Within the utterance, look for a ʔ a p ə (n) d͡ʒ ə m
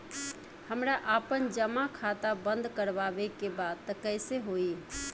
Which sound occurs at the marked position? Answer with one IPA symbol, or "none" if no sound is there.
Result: n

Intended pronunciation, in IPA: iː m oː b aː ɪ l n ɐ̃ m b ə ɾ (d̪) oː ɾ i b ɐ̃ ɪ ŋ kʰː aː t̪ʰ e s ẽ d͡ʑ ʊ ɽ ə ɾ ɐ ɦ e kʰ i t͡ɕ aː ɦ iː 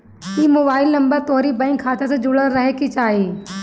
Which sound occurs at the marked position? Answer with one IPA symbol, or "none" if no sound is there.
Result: t̪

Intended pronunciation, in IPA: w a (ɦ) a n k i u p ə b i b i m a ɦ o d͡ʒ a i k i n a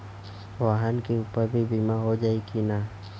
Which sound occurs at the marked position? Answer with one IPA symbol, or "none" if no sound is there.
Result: ɦ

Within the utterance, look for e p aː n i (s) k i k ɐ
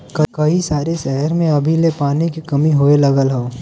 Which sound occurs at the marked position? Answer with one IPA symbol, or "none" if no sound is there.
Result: none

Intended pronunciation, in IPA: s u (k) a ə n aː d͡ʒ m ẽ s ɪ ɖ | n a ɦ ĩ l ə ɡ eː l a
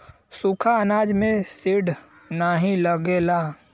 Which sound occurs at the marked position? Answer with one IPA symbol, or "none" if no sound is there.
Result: kʰ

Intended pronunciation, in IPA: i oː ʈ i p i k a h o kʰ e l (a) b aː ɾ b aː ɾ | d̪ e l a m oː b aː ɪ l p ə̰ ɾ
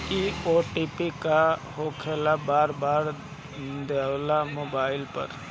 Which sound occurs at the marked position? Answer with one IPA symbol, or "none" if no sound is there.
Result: a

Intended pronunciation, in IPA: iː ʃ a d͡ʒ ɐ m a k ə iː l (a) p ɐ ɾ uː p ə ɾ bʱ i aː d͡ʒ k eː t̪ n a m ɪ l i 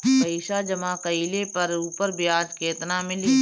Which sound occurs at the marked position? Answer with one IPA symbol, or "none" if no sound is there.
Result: e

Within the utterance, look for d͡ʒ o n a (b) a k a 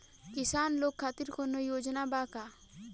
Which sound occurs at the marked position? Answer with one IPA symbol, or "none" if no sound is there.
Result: b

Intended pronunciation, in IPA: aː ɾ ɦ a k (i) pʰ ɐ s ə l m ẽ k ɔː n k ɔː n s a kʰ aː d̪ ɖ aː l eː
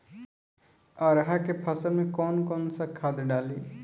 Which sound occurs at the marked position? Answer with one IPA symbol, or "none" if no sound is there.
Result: e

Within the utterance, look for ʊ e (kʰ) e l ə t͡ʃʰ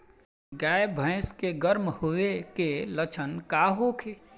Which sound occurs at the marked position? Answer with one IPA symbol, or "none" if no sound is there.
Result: k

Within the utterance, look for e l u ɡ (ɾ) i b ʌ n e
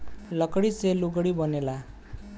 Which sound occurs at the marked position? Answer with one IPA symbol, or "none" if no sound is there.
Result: ɽ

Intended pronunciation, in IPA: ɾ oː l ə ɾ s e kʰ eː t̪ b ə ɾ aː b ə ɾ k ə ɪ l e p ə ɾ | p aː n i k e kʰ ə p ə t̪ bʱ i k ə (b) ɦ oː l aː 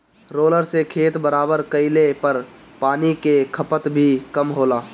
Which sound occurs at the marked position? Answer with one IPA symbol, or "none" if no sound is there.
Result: m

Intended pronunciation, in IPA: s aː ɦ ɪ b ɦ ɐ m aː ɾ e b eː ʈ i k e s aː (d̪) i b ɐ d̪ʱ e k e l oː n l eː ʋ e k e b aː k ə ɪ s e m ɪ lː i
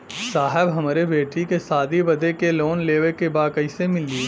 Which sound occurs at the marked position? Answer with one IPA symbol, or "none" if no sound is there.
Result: d̪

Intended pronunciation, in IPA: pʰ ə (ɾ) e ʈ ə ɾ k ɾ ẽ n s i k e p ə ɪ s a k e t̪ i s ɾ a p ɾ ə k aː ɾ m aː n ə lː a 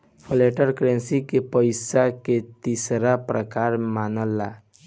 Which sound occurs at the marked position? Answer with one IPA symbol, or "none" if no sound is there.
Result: l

